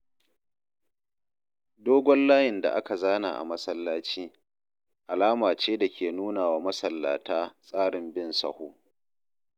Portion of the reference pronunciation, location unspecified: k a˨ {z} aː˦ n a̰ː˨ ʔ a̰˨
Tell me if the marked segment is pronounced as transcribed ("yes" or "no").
yes